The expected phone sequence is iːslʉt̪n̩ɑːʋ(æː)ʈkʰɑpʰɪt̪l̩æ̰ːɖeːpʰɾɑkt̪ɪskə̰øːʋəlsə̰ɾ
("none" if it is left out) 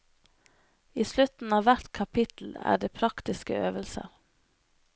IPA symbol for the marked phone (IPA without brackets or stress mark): æ